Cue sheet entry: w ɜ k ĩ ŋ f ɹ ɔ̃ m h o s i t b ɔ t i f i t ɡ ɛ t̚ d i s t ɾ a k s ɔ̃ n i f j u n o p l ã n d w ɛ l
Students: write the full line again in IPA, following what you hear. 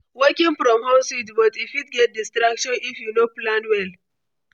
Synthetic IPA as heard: w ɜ k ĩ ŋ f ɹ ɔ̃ m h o s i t b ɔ t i f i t ɡ ɛ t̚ d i s t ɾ a k ʃ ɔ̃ n i f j u n o p l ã n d w ɛ l